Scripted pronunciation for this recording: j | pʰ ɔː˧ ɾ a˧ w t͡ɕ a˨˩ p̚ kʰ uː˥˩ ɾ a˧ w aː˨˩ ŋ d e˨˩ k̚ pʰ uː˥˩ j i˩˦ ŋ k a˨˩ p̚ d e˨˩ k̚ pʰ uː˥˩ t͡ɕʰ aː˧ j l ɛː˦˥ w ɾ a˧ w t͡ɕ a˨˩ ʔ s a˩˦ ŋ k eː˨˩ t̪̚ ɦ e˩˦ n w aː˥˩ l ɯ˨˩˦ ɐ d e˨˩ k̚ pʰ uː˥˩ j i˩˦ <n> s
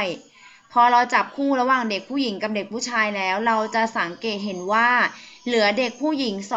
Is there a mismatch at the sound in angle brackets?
yes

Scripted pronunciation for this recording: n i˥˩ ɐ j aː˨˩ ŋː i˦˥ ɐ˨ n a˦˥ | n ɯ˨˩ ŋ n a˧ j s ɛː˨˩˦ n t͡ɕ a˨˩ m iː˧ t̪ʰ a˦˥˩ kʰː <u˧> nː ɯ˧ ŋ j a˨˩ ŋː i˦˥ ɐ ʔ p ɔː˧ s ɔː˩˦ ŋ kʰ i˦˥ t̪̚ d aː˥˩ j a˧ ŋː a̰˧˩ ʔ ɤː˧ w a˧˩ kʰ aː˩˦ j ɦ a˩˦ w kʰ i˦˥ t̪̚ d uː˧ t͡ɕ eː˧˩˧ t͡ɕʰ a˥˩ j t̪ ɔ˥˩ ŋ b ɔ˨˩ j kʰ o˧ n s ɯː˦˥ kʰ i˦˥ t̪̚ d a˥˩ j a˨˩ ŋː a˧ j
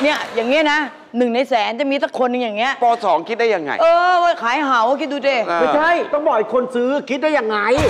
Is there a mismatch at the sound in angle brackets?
yes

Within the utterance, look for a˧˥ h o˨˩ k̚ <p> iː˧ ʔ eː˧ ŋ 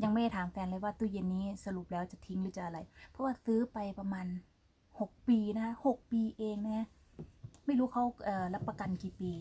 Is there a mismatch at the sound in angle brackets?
no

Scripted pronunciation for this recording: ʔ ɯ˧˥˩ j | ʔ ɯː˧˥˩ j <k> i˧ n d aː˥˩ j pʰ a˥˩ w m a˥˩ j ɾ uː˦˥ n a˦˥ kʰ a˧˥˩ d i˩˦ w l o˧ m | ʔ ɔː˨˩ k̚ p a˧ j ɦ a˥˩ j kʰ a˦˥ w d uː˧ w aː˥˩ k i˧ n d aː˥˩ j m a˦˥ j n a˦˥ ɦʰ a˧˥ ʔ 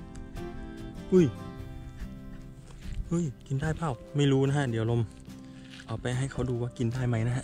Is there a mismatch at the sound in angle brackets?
no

